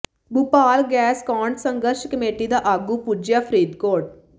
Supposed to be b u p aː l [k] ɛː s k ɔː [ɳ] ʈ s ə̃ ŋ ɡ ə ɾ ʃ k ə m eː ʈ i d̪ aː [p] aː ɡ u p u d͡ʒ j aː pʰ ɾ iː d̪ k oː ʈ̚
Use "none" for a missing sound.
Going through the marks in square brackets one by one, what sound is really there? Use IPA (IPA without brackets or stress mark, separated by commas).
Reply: ɡ, ɳ, ʔ